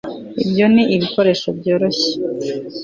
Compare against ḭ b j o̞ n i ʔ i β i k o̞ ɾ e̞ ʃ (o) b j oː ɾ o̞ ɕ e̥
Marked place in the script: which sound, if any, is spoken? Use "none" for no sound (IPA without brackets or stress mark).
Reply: o